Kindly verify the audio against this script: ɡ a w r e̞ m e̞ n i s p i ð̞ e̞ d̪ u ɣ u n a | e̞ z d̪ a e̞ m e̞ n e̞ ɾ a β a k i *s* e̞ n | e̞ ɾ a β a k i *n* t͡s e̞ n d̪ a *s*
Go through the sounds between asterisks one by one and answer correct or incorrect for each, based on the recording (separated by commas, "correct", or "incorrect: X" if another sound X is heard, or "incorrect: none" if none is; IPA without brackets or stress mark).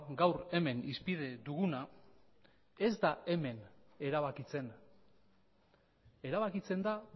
incorrect: t͡s, incorrect: none, incorrect: none